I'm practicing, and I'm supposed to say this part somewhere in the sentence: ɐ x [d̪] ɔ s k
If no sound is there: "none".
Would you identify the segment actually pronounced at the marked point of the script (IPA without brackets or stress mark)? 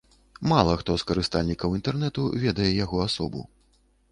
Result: t̪